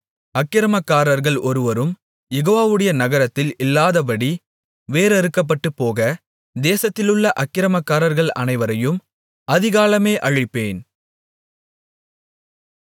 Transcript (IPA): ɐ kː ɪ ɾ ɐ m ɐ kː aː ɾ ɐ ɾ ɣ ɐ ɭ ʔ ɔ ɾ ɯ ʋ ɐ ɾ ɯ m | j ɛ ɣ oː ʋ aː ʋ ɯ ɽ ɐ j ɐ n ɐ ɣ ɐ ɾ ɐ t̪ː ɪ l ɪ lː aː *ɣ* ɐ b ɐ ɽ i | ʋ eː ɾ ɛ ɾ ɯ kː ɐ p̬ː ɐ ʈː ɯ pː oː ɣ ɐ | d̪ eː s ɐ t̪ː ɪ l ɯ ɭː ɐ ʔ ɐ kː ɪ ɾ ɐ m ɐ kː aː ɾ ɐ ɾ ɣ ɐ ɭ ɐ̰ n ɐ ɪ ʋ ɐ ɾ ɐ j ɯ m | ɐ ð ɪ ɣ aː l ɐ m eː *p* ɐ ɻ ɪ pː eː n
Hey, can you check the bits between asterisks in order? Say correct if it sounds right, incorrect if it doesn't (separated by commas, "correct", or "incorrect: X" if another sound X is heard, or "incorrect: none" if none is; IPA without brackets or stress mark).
incorrect: ð, incorrect: ʔ